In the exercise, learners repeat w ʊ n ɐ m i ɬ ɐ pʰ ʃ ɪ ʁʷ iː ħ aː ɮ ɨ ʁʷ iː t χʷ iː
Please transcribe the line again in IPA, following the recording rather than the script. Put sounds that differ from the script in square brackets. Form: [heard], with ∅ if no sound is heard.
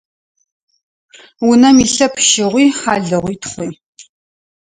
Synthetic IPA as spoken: w ʊ n ɐ m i ɬ ɐ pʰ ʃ ɪ ʁʷ iː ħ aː ɮ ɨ ʁʷ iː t χʷ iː